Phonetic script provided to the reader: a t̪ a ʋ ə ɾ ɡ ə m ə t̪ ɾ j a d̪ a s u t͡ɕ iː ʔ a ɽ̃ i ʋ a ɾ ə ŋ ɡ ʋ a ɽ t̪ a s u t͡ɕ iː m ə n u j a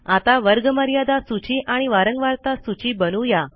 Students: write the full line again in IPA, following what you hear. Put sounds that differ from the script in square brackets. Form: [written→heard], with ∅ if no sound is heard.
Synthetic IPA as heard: a t̪ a ʋ ə ɾ ɡ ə m ə [t̪→∅] ɾ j a d̪ a s u t͡ɕ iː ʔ a ɽ̃ i ʋ a ɾ ə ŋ ɡ ʋ a [ɽ→ɾ] t̪ a s u t͡ɕ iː [m→b] ə n u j a